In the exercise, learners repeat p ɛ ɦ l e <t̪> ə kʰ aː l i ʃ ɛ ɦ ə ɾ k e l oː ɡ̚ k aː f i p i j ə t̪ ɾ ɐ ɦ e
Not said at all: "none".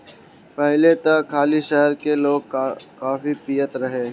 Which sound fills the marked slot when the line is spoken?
t̪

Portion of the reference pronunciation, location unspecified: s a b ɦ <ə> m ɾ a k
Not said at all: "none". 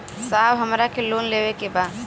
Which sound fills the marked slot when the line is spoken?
ə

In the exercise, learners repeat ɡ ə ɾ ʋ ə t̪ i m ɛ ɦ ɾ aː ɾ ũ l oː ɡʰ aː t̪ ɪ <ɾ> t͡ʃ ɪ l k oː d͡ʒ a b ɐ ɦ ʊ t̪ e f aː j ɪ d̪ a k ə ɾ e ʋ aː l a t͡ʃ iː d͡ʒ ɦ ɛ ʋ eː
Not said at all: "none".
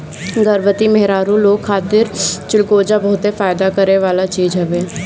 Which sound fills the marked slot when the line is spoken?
ɾ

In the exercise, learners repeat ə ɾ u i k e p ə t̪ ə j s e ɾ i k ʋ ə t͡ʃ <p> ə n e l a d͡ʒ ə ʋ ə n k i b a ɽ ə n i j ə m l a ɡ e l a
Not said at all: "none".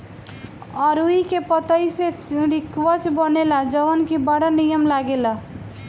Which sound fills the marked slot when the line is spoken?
b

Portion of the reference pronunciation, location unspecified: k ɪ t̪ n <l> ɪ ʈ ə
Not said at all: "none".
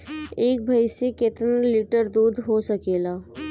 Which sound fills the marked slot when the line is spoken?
l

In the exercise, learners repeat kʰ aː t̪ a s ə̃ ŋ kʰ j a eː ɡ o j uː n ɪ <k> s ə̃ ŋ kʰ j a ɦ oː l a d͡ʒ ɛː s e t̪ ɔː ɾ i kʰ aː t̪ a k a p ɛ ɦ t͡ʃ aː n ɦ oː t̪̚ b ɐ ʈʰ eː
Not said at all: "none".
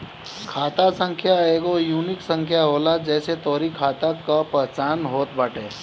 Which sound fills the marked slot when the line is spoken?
k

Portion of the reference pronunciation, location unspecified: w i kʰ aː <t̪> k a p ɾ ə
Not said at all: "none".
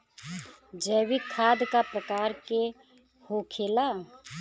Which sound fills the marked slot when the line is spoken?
d̪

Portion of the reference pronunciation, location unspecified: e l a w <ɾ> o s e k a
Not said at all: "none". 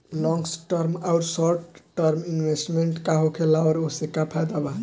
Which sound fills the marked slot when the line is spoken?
ɾ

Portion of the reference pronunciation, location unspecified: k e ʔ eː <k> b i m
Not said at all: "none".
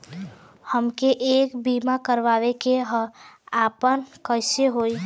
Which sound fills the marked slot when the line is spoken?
k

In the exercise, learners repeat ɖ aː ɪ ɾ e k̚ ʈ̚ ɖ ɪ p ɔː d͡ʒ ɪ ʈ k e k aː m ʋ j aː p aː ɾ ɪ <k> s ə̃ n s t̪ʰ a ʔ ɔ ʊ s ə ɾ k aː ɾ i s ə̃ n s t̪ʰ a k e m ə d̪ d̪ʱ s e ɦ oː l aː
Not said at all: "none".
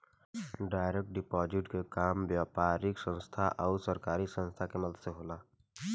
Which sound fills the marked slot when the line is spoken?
k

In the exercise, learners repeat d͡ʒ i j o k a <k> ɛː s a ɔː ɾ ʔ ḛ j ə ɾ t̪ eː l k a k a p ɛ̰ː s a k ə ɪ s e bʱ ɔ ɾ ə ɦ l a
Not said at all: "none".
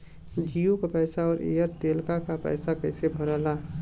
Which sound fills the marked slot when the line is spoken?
p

